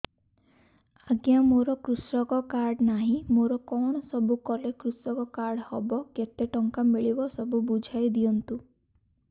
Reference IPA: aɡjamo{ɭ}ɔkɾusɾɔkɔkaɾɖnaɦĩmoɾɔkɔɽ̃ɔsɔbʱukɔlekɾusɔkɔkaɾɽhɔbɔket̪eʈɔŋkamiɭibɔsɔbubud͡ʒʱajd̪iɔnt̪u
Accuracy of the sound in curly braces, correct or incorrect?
incorrect